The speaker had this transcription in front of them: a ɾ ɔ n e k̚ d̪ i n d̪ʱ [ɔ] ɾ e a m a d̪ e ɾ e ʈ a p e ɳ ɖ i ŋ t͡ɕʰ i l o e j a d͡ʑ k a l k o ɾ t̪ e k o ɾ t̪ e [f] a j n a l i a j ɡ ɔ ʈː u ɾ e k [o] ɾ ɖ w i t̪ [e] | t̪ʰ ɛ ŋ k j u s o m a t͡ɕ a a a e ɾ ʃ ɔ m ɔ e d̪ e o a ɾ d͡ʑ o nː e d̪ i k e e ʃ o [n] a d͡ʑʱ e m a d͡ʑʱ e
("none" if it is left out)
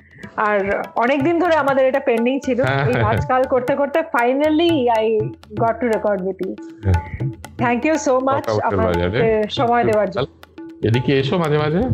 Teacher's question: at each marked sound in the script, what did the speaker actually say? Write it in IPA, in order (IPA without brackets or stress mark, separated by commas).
o, f, ɔ, i, m